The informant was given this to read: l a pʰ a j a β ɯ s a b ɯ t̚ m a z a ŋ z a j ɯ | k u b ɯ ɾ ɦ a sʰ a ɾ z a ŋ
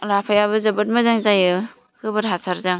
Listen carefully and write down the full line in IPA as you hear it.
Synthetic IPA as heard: l a pʰ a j a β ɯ z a b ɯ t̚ m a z a ŋ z a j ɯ | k ɯ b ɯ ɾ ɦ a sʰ a ɾ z a ŋ